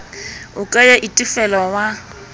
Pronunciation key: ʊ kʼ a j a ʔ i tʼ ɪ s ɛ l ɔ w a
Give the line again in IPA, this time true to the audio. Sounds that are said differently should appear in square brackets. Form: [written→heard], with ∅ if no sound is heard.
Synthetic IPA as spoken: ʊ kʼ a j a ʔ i tʼ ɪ [s→f] ɛ l ɔ w a

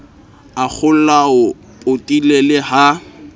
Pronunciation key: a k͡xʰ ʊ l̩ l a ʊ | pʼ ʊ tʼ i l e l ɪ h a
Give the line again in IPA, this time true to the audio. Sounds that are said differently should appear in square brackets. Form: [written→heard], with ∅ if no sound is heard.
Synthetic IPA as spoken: a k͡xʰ ʊ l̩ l a ʊ | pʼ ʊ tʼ i l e l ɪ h a

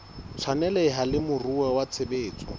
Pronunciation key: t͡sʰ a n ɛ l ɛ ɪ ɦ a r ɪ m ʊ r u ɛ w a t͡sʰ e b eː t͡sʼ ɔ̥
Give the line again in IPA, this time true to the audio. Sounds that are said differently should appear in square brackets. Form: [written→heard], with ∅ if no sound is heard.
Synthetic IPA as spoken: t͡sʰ a n ɛ l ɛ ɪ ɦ a [r→l] ɪ m ʊ r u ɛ w a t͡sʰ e b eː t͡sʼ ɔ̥

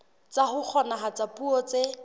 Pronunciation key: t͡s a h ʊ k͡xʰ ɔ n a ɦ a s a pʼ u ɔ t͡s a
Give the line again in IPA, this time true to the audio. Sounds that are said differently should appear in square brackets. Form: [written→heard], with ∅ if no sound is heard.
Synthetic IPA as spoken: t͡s a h ʊ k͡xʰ ɔ n a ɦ a [s→t͡s] a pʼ u ɔ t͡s [a→e]

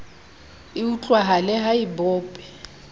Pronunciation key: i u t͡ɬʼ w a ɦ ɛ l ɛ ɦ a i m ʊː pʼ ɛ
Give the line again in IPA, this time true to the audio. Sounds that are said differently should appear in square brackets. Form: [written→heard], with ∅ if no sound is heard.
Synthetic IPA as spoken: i u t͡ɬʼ w a ɦ [ɛ→a] l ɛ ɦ a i [m→b] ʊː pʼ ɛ

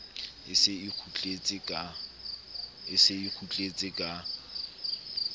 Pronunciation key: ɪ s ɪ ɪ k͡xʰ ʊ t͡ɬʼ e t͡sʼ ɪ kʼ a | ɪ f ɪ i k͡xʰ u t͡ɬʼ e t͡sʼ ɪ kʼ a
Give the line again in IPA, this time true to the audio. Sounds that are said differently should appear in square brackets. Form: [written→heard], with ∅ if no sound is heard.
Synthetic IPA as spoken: ɪ s ɪ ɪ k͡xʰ [ʊ→u] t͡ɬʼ e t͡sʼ ɪ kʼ a | ɪ [f→s] ɪ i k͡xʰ u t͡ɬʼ e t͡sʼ ɪ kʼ a

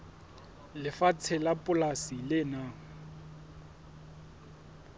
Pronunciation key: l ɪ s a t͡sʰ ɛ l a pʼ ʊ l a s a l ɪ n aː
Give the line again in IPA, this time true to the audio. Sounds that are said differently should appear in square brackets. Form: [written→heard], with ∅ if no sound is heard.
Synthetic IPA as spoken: l ɪ [s→f] a t͡sʰ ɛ l a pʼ ʊ l a s [a→i] l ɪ n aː

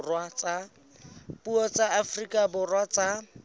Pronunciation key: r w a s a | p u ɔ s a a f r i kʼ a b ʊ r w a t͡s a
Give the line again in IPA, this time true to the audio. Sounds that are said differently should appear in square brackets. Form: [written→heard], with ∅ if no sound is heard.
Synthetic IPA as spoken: r w a [s→t͡s] a | p u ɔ [s→t͡s] a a f r i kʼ a b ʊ r w a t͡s a

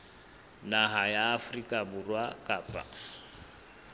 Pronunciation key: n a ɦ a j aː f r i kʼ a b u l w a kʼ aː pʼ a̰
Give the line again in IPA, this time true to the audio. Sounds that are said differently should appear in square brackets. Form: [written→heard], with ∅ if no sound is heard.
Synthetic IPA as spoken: n a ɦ a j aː f r i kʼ a b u [l→r] w a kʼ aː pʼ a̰

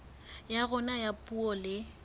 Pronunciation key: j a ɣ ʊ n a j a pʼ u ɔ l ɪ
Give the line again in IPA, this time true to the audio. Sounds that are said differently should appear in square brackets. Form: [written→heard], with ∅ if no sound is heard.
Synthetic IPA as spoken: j a ɣ ʊ n a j a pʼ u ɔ l ɪ

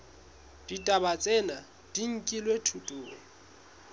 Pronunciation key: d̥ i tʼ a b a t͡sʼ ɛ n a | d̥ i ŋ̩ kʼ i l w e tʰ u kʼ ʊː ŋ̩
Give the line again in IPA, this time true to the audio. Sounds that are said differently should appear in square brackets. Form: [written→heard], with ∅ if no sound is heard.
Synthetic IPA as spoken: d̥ i tʼ a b a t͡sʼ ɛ n a | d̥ i ŋ̩ kʼ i l w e tʰ u [kʼ→tʼ] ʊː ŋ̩

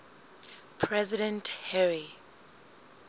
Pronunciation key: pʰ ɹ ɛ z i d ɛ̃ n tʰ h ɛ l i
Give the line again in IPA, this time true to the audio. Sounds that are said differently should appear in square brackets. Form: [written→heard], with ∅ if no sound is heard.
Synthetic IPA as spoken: pʰ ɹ ɛ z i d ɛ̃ n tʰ h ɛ [l→ɹ] i

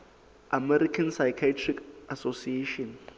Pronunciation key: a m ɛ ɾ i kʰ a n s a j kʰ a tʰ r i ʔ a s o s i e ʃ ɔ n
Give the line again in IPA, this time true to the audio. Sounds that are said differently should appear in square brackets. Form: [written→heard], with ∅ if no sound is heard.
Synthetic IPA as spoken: a m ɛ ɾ i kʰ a n s a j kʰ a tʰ r i [ʔ→k] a s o s i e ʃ ɔ n

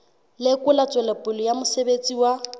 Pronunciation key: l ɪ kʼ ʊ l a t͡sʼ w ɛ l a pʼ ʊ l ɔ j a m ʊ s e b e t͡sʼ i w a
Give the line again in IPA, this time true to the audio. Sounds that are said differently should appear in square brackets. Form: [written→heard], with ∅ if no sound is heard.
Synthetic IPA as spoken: l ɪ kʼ ʊ l a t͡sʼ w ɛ l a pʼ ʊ l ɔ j a m ʊ s e b e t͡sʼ i w a

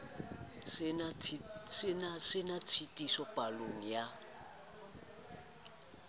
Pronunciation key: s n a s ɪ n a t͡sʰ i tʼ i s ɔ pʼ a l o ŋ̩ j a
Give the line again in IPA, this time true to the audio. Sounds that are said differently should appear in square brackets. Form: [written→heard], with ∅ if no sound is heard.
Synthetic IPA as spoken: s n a s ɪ n a t͡sʰ i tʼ i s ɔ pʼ a l o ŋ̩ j a

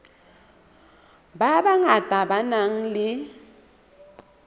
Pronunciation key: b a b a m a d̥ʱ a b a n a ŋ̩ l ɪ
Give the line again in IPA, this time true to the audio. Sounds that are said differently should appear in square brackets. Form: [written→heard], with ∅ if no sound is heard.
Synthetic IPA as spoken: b a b a [m→ŋ] a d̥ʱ a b a n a ŋ̩ l ɪ

